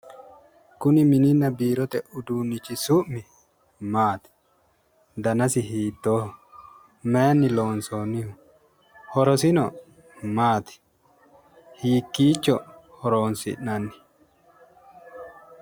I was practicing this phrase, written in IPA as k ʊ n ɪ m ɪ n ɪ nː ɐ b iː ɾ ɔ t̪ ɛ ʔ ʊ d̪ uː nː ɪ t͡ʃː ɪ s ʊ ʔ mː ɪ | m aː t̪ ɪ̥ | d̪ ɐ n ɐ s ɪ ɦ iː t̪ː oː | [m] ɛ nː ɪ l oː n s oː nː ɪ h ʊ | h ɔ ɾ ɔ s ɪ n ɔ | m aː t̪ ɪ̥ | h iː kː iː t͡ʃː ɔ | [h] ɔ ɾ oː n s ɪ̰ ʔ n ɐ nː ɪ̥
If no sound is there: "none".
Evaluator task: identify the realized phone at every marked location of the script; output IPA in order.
m, h

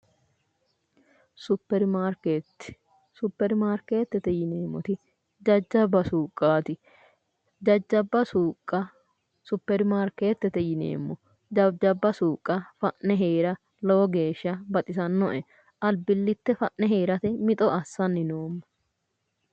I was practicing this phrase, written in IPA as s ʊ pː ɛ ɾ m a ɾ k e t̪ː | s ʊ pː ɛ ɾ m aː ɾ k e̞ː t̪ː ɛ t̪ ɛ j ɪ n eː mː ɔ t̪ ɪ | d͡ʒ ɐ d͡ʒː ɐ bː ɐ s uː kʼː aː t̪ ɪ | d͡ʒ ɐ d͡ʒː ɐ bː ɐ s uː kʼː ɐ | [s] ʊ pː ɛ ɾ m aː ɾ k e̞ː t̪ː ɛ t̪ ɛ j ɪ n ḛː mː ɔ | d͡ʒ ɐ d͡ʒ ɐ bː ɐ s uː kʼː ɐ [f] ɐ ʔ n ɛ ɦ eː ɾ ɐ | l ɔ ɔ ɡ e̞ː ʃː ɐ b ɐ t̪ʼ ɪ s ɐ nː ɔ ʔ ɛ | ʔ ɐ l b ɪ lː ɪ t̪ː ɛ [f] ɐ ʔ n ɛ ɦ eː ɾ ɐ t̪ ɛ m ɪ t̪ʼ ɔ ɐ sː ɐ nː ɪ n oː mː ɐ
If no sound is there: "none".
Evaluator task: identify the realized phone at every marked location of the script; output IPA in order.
s, f, f

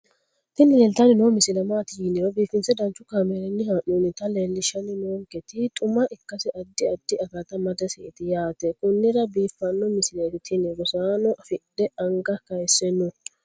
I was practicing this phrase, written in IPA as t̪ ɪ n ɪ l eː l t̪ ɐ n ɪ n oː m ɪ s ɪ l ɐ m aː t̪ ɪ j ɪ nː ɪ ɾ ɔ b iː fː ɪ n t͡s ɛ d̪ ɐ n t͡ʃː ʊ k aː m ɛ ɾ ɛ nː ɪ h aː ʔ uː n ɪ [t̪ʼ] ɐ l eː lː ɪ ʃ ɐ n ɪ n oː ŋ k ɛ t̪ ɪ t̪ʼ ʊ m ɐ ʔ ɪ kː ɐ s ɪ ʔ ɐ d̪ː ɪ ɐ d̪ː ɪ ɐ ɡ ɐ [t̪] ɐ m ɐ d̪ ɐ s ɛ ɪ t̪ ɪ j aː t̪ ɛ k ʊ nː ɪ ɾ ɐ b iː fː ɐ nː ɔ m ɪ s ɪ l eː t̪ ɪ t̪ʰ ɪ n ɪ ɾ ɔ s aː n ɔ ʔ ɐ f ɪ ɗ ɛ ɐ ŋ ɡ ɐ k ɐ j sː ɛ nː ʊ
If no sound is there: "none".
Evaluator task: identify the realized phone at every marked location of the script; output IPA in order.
t̪, t̪

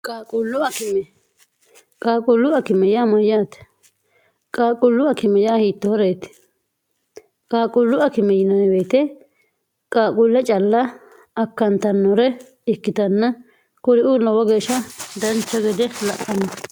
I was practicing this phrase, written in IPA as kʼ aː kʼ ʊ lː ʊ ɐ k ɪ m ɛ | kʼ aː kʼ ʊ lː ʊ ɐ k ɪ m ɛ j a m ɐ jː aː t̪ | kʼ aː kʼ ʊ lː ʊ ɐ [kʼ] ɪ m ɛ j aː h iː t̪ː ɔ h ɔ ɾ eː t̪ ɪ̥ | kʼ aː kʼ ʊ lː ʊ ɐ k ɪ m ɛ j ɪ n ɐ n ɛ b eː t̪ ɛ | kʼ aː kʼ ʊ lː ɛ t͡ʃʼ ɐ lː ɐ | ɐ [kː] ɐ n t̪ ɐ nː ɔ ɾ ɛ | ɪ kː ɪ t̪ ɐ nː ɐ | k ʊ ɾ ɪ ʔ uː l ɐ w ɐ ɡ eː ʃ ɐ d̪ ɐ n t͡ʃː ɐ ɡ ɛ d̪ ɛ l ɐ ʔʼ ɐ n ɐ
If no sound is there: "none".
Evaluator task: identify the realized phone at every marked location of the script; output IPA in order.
k, kː

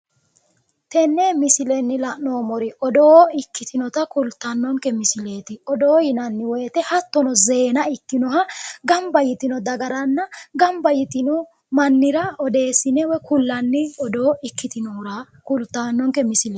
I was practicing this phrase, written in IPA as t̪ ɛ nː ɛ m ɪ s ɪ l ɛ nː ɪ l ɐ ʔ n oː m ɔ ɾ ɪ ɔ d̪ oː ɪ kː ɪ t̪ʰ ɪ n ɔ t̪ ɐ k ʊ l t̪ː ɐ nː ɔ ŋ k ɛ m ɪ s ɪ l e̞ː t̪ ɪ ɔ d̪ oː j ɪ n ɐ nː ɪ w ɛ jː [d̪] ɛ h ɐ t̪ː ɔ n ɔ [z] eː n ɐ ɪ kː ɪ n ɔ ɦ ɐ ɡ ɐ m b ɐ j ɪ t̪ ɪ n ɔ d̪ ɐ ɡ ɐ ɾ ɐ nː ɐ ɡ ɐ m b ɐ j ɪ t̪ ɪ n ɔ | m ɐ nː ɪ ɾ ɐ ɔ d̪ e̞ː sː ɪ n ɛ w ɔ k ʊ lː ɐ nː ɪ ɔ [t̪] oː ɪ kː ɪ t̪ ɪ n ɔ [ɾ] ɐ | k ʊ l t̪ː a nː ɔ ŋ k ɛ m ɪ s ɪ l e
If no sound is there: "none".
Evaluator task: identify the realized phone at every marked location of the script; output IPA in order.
t̪, z, d̪, ɾ

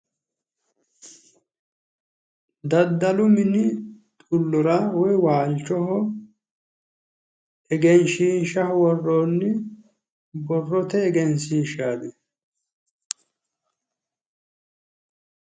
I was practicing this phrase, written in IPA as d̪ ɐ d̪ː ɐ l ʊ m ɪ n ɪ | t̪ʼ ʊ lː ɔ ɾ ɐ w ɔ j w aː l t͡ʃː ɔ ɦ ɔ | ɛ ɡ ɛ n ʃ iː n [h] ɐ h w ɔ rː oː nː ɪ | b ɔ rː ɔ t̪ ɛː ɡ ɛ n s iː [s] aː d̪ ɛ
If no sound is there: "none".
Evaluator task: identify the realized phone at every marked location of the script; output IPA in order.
ʃ, ʃ

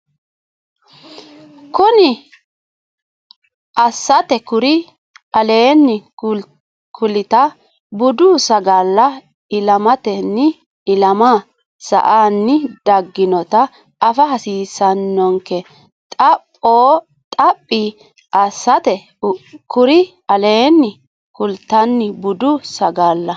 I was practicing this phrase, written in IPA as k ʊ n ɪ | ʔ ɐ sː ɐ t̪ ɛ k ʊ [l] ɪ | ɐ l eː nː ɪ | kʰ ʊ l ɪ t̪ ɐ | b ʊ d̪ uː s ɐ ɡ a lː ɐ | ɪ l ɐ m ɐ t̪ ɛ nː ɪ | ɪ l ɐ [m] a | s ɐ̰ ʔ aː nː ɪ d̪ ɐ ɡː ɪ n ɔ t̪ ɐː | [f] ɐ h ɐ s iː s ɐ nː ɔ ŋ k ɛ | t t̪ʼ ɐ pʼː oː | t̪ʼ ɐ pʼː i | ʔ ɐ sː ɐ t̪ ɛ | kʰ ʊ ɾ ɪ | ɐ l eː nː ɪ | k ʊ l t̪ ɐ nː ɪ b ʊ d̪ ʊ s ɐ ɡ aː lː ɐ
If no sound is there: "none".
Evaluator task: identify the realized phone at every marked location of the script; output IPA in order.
ɾ, m, f

